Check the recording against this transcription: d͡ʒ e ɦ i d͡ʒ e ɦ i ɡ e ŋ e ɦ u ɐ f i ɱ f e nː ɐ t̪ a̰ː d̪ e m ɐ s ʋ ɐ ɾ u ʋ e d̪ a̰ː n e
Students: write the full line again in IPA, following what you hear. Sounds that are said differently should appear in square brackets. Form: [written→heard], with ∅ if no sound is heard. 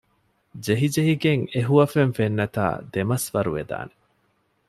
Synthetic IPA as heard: d͡ʒ e ɦ i d͡ʒ e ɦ i ɡ e ŋ e ɦ u ɐ f [i→e] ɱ f e nː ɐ t̪ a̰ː d̪ e m ɐ s ʋ ɐ ɾ u ʋ e d̪ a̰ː n e